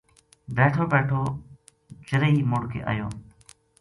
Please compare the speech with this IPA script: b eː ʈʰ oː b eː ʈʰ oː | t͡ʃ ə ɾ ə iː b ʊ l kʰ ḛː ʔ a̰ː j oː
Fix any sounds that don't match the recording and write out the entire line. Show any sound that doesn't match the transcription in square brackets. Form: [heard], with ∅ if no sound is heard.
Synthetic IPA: b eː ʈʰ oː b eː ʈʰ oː | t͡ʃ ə ɾ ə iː [m] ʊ [ɽ] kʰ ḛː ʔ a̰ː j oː